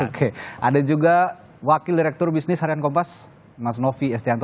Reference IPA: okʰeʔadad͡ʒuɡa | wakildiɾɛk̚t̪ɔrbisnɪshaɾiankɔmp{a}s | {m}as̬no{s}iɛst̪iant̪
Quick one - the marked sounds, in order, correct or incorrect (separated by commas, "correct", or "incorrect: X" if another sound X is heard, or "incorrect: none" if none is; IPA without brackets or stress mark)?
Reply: correct, correct, incorrect: f